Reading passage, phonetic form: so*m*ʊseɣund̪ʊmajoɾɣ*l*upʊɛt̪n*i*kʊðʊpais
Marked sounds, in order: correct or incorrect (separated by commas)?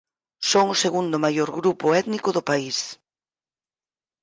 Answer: incorrect, incorrect, correct